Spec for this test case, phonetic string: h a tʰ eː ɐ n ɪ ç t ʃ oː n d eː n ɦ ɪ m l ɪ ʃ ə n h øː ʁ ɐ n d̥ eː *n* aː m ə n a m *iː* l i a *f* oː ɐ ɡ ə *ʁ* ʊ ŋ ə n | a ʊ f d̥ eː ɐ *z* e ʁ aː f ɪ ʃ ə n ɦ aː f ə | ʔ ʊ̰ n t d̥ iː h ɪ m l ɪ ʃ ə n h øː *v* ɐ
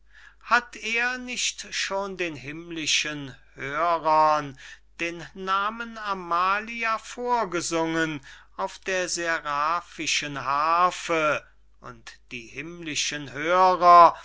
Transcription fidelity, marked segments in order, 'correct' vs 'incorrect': incorrect, incorrect, correct, incorrect, correct, incorrect

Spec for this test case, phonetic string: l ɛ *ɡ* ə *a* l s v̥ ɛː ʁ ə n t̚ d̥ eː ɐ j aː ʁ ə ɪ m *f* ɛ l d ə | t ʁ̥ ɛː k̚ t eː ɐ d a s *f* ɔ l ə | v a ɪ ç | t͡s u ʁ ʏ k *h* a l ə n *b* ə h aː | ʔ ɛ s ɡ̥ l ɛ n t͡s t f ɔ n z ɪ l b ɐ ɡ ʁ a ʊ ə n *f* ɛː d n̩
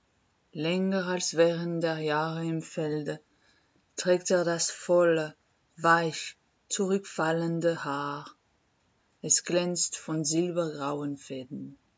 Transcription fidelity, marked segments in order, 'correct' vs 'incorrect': incorrect, correct, correct, correct, incorrect, incorrect, correct

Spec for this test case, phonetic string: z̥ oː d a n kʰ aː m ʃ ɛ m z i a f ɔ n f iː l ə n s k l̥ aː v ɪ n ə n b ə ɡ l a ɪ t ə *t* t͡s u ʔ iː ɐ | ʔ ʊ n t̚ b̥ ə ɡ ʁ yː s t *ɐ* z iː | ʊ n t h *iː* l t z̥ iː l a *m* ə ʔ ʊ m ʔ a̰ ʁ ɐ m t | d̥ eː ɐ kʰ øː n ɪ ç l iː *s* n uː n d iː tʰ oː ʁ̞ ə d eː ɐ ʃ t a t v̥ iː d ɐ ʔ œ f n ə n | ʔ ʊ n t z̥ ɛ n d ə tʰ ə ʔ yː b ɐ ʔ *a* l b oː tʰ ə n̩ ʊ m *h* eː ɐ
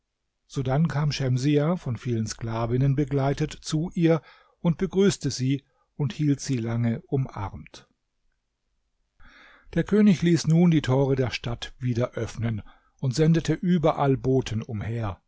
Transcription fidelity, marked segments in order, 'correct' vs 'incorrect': correct, incorrect, correct, incorrect, correct, correct, correct

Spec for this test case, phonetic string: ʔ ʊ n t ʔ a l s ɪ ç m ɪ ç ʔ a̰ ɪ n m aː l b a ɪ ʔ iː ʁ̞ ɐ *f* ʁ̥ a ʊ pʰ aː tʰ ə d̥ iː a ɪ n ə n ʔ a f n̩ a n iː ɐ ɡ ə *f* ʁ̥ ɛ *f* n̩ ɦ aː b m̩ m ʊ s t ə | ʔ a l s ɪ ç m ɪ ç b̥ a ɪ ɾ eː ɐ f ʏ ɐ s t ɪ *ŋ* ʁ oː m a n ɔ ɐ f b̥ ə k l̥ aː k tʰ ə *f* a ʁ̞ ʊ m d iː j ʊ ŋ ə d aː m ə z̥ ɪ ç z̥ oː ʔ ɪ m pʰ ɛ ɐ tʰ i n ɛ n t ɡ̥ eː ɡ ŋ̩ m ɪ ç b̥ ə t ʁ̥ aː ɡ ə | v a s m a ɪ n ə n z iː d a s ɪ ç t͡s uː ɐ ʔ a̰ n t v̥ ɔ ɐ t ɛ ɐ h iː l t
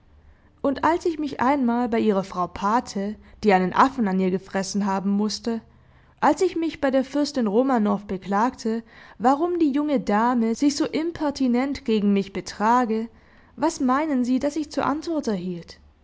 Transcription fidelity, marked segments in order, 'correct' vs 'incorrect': correct, correct, incorrect, incorrect, incorrect

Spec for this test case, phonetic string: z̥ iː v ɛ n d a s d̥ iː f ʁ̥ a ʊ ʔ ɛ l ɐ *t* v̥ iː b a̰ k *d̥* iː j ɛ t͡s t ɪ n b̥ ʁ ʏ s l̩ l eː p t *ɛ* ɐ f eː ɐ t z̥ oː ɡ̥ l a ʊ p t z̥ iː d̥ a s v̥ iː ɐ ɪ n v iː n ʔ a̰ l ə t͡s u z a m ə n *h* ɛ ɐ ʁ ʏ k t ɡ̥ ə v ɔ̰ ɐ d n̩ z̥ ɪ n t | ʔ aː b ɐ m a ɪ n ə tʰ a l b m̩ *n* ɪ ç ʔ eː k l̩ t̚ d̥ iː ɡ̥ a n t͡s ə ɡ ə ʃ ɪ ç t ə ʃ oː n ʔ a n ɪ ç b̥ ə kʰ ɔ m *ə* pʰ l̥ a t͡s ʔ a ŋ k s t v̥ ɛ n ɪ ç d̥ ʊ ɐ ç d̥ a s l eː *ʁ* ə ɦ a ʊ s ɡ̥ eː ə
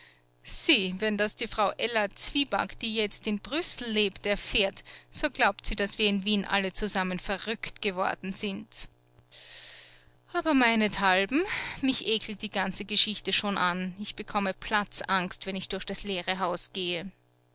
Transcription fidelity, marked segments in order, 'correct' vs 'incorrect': incorrect, correct, correct, incorrect, incorrect, correct, correct

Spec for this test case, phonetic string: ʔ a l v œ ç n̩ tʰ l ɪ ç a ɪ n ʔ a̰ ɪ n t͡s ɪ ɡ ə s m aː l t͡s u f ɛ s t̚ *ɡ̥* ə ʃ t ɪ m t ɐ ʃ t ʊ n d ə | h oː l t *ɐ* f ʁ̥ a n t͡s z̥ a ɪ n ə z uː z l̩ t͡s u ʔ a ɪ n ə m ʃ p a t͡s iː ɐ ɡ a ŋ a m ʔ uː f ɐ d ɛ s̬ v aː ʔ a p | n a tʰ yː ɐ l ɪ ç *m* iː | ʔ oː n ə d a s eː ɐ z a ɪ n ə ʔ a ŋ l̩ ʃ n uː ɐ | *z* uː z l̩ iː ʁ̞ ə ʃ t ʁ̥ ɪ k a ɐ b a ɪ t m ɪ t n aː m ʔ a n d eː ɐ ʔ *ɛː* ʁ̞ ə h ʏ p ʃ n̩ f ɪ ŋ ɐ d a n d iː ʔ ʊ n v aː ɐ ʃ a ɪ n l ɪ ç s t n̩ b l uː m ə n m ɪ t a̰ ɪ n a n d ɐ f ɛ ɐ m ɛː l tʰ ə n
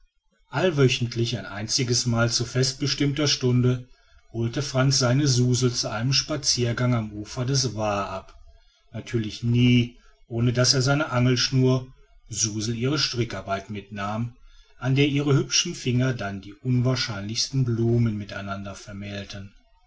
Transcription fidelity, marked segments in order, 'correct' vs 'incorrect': incorrect, incorrect, incorrect, correct, incorrect

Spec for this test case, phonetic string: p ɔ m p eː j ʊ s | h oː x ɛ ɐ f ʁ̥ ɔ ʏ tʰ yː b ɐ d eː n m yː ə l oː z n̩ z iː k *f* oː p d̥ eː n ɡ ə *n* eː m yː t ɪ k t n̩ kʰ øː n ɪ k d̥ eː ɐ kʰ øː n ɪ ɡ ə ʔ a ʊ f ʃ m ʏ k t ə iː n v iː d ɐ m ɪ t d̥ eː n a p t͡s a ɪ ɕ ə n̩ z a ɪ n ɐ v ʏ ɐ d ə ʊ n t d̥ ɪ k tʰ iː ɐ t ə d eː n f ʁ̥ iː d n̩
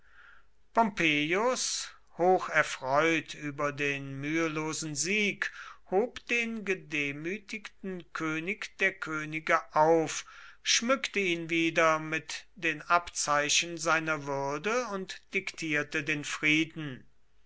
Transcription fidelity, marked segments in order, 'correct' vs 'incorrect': incorrect, incorrect

